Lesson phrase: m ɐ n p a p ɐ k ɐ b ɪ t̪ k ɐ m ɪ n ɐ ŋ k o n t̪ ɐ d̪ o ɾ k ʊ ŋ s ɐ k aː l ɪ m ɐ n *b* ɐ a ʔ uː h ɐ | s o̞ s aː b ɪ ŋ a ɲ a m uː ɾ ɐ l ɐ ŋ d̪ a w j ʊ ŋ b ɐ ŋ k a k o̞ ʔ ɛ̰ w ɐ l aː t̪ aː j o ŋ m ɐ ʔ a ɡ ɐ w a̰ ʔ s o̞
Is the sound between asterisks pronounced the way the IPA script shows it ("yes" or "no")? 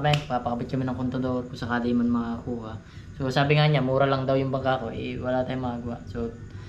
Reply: no